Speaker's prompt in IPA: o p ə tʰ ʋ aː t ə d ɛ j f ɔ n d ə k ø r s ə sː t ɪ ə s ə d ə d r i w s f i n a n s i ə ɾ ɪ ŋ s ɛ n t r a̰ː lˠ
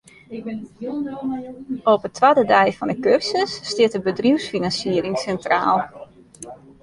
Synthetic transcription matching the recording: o p ə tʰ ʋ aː d ə d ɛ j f ɔ n d ə k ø r s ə sː t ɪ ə t ə b ə d r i w s f i n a n s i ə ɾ ɪ ŋ s ɛ n t r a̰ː lˠ